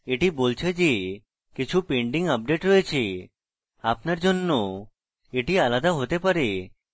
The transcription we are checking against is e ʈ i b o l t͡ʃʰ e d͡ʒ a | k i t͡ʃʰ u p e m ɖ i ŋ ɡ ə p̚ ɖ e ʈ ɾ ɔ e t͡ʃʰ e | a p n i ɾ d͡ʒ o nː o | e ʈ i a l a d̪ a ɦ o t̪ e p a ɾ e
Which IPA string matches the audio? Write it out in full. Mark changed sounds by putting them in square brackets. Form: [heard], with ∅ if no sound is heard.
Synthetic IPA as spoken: e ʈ i b o l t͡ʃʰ e d͡ʒ [e] | k i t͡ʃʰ u p e [ɳ] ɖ i ŋ ɡ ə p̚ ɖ e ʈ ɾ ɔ e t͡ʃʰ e | a p n [a] ɾ d͡ʒ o nː o | e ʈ i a l a d̪ a ɦ o t̪ e p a ɾ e